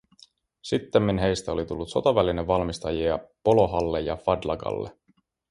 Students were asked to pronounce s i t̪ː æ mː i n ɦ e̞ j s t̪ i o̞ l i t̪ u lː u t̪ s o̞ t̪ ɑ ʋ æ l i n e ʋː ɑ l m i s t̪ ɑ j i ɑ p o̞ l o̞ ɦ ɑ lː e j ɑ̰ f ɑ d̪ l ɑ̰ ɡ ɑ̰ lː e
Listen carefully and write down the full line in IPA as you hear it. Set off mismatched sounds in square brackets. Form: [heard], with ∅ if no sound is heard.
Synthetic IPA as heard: s i t̪ː [e] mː i n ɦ e̞ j s t̪ [æ] o̞ l i t̪ u lː u t̪ s o̞ t̪ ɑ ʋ æ l i n e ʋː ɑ l m i s t̪ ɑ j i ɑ p o̞ l o̞ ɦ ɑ lː e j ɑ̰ f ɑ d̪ l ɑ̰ ɡ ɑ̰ lː e

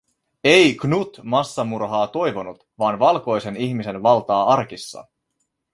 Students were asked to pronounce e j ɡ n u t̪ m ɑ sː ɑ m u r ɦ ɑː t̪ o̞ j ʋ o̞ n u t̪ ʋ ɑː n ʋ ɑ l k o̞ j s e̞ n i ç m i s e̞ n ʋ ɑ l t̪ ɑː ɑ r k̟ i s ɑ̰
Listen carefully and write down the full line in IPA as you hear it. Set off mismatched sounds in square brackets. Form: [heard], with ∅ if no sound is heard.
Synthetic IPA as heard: e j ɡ n u t̪ m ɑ sː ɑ m u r ɦ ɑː t̪ o̞ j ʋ o̞ n u t̪ ʋ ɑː n ʋ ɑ l k o̞ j s e̞ n i ç m i s e̞ n ʋ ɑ l t̪ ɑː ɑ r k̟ i [sː] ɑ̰

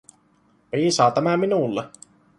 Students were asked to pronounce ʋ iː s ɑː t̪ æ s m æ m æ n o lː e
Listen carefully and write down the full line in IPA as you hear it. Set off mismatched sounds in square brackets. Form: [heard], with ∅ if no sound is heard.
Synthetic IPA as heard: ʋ iː s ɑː t̪ æ [∅] m æ m [i] n [u] lː e

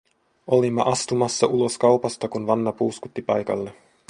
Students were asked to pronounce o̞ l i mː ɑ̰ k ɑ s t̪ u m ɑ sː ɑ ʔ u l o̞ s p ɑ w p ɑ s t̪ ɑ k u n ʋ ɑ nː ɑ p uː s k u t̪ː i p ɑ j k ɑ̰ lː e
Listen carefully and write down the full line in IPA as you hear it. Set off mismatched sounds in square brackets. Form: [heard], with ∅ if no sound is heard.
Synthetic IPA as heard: o̞ l i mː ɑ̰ [ʔ] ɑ s t̪ u m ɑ sː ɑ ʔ u l o̞ s [k] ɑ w p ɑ s t̪ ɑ k u n ʋ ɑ nː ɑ p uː s k u t̪ː i p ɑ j k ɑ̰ lː e

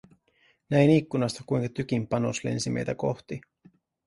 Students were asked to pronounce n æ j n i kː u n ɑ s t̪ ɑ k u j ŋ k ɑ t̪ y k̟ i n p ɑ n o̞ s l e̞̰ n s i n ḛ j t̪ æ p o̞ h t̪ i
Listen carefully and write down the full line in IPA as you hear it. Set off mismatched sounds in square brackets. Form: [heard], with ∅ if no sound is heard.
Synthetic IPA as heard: n æ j n i kː u n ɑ s t̪ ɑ k u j ŋ k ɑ t̪ y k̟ i [m] p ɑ n o̞ s l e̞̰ n s i [m] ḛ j t̪ æ [k] o̞ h t̪ i

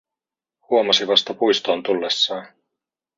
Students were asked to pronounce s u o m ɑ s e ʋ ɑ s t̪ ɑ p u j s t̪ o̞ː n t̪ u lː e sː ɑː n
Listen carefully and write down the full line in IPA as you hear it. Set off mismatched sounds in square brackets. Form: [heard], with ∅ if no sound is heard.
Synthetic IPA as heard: [h] u o m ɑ s [i] ʋ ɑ s t̪ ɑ p u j s t̪ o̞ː n t̪ u lː e sː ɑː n

